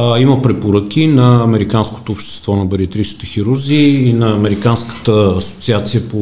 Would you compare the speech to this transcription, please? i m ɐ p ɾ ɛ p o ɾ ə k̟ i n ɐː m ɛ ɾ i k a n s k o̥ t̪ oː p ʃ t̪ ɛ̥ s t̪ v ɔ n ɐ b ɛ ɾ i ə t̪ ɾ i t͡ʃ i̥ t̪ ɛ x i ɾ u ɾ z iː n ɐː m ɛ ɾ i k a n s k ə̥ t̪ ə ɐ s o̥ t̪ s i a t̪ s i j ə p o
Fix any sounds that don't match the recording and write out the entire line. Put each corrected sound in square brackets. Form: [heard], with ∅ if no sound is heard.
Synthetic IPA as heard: i m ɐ p ɾ ɛ p o ɾ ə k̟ i n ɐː m ɛ ɾ i k a n s k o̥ t̪ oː p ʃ t̪ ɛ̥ s t̪ v ɔ n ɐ b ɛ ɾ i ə t̪ ɾ i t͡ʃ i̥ t̪ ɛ x i ɾ u ɾ z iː n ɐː m ɛ ɾ i k a n s k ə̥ t̪ ə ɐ s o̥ t̪ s i a t̪ s i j ə p o